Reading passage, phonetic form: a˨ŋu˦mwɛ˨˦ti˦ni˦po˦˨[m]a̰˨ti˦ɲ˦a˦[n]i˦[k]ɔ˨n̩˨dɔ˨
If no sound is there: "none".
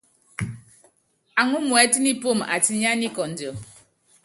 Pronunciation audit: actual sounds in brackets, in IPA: m, n, k

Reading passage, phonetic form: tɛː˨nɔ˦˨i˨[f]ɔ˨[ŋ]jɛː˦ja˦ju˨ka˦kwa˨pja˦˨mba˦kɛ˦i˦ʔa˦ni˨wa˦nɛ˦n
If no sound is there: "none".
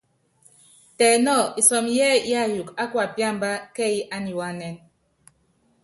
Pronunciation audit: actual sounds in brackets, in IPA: s, m

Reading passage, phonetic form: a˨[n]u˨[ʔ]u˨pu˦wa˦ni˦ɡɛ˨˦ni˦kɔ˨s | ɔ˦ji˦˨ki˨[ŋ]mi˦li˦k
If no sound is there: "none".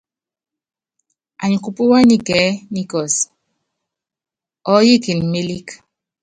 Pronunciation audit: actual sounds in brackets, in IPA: ɲ, k, n

